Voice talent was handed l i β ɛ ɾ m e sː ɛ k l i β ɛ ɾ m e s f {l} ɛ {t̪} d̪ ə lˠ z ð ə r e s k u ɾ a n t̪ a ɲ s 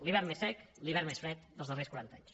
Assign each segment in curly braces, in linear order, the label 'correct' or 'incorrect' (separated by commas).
incorrect, correct